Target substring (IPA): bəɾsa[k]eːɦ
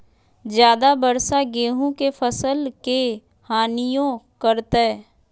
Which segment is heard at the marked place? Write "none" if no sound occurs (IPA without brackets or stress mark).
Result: ɡ